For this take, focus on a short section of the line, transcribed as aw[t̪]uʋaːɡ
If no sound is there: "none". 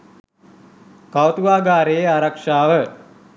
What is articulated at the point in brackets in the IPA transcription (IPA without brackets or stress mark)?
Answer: t̪